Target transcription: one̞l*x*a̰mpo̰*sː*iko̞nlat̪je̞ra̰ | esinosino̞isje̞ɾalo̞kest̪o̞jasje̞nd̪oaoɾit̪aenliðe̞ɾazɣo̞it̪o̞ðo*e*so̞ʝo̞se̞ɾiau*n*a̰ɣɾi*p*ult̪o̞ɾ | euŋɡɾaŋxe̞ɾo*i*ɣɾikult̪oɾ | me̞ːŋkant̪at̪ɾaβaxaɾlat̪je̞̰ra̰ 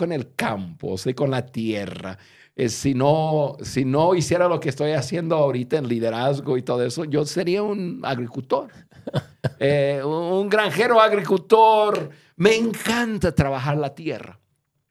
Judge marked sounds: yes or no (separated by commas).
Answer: no, no, yes, yes, no, no